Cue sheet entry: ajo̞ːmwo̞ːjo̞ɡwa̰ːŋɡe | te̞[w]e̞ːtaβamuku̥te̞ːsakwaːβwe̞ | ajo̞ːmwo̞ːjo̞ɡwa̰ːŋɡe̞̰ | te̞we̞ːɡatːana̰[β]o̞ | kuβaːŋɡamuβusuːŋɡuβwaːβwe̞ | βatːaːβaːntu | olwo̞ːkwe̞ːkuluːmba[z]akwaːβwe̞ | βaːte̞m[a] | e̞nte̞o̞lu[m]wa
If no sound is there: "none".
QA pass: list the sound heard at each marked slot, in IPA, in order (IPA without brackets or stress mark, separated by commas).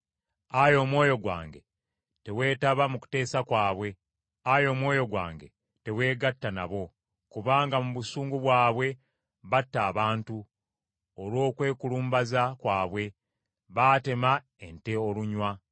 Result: w, β, z, a, ɲ